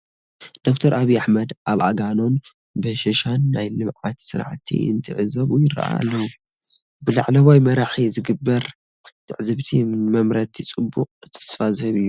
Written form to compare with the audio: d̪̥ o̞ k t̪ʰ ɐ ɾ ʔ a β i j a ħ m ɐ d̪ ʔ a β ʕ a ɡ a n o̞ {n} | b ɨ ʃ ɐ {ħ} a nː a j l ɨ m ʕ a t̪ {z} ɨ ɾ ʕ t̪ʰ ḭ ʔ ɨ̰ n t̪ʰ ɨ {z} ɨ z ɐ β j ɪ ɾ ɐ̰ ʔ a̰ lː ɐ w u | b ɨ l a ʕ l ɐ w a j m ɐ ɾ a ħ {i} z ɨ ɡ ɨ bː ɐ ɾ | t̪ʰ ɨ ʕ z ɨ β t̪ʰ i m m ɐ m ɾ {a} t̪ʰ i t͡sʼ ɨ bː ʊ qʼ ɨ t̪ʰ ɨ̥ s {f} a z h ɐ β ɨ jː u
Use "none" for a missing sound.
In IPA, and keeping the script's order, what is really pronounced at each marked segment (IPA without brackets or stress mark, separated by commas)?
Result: n, ʃ, s, ʕ, i, ɐ, f